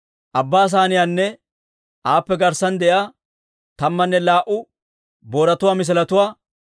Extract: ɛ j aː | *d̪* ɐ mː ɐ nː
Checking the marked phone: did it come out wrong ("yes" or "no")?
yes